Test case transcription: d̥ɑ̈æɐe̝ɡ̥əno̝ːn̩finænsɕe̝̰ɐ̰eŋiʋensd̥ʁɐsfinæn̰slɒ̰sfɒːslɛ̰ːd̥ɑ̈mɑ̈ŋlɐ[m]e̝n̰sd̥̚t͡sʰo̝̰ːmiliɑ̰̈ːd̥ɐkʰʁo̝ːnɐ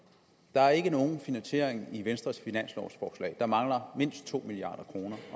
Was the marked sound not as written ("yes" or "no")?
no